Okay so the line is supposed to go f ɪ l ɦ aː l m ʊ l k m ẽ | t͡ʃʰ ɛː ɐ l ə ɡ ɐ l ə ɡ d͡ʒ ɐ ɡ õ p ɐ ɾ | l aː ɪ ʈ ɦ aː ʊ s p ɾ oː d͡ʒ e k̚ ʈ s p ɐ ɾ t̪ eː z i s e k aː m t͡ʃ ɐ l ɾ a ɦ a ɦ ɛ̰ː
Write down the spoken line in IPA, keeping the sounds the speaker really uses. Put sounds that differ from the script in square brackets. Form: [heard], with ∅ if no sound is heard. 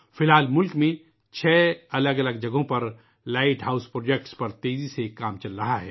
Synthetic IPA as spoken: f ɪ l ɦ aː l m ʊ l k m ẽ | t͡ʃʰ ɛː ɐ l ə ɡ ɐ l ə ɡ d͡ʒ ɐ ɡ õ p ɐ ɾ | l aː ɪ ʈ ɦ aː ʊ s p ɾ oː d͡ʒ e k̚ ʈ s p ɐ ɾ t̪ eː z i s e k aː m t͡ʃ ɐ l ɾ [ɐ] ɦ a ɦ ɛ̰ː